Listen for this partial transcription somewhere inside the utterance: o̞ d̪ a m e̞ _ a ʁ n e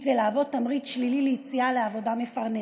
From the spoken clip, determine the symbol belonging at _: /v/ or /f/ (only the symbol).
f